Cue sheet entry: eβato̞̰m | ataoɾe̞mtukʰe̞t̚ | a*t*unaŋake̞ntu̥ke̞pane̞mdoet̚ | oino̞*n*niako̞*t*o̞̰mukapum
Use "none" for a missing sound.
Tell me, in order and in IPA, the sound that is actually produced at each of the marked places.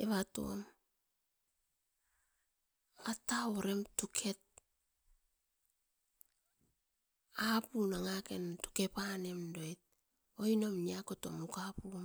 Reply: p, m, t

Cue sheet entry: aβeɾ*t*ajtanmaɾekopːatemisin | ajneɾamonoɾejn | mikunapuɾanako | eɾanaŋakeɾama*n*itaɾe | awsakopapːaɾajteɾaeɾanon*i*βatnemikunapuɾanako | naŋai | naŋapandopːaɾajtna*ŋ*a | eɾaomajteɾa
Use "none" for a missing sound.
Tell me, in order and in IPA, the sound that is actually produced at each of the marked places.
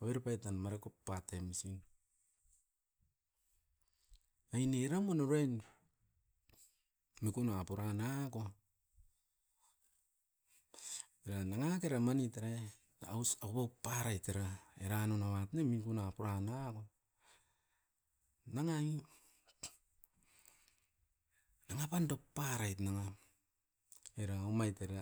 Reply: p, n, a, ŋ

